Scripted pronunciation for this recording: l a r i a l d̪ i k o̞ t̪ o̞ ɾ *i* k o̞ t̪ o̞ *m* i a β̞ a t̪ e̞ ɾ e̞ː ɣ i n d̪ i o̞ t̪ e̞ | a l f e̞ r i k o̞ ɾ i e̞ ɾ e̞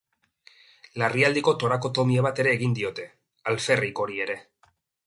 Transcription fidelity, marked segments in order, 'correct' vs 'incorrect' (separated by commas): incorrect, correct